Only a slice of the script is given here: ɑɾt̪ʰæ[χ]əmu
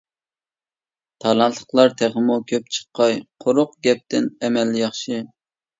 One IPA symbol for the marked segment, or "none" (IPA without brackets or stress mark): ʁ